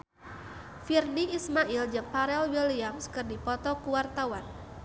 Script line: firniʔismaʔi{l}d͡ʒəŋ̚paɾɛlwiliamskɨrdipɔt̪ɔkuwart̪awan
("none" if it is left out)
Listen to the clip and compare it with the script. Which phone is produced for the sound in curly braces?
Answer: l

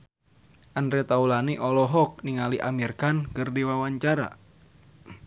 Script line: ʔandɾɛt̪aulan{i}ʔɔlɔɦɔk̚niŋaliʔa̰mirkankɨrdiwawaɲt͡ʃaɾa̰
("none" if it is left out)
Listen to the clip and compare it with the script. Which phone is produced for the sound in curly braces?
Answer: i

